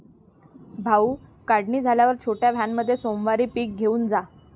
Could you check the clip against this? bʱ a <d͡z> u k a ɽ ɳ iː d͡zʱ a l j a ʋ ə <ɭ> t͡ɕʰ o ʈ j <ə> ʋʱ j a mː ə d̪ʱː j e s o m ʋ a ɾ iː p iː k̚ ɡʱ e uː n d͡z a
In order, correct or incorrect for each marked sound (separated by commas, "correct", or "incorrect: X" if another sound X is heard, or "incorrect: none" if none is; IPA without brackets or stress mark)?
incorrect: none, incorrect: ɾ, incorrect: a